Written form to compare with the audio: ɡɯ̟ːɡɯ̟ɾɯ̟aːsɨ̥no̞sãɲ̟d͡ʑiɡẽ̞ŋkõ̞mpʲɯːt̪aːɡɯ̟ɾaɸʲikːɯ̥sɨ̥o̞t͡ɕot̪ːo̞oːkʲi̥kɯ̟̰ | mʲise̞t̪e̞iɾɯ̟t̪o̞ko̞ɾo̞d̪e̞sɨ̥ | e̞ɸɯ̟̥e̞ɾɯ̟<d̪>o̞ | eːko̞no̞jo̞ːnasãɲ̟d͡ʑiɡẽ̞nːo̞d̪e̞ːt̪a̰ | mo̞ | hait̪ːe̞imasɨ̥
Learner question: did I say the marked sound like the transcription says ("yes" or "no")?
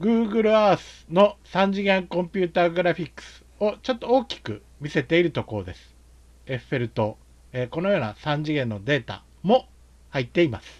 no